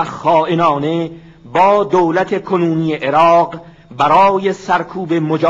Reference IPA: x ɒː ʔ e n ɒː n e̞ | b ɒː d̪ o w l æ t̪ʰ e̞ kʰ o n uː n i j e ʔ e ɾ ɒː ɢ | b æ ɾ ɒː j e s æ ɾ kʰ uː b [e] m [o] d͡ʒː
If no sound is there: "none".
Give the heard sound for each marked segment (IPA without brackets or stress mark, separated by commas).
e, o